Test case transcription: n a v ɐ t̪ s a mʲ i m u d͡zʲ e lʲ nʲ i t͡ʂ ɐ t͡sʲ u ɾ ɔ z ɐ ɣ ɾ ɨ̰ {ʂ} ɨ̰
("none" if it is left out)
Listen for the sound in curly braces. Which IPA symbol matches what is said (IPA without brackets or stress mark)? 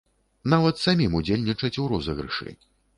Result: ʂ